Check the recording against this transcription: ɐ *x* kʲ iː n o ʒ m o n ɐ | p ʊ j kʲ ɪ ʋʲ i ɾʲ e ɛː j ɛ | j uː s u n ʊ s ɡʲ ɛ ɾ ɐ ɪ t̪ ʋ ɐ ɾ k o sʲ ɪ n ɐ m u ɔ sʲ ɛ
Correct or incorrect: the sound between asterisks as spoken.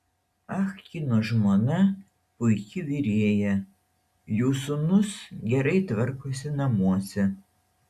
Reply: correct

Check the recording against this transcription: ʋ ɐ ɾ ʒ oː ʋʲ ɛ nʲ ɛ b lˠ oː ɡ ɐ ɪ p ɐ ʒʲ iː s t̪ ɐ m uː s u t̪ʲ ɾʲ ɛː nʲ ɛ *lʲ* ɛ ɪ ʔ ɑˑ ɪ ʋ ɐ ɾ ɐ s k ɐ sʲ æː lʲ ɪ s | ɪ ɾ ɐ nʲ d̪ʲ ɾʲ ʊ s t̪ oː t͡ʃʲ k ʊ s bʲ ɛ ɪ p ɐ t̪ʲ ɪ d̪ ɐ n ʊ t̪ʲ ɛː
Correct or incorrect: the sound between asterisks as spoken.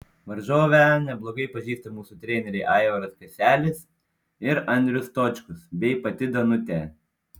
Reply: incorrect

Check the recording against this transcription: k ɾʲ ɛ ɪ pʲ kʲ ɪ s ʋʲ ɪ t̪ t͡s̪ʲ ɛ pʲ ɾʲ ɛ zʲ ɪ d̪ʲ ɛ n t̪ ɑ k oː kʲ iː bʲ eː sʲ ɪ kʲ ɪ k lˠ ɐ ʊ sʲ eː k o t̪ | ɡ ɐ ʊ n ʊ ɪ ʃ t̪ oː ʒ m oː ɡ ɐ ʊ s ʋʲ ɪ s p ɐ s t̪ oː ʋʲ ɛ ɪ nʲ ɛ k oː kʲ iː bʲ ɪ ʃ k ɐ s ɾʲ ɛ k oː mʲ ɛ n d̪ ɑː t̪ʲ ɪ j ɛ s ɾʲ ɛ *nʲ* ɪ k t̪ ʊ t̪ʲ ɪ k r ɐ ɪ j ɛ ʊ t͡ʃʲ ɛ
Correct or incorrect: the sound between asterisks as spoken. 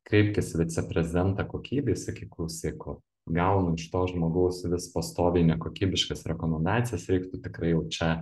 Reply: incorrect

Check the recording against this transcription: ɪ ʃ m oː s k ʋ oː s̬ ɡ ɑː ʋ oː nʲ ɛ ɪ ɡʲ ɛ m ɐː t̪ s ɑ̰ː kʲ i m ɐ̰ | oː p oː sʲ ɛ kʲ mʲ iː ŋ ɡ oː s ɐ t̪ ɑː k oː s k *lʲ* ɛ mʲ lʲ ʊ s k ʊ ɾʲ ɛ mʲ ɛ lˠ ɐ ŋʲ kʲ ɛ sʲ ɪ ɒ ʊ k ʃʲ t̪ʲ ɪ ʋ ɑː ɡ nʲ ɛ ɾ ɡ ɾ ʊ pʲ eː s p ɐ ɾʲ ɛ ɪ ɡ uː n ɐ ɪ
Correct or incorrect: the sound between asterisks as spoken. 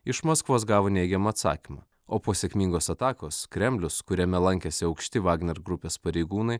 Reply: incorrect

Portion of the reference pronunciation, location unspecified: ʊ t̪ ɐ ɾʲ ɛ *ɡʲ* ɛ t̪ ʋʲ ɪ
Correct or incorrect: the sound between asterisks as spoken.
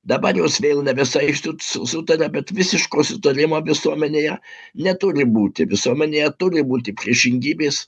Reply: incorrect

